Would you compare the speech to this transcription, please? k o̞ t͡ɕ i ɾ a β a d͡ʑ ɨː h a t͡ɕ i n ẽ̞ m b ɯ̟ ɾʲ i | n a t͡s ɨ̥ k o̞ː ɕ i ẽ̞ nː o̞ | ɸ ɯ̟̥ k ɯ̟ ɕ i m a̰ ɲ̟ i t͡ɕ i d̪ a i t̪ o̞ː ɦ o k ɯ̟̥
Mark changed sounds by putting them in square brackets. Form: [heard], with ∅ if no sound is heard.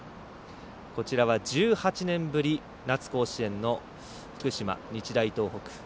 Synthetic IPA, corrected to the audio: k o̞ t͡ɕ i ɾ a β a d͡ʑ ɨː h a t͡ɕ i n ẽ̞ m b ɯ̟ ɾʲ i | n a t͡s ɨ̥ k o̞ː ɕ i ẽ̞ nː o̞ | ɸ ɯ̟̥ k ɯ̟ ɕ i m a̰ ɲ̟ i t͡ɕ i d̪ a i t̪ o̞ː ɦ o k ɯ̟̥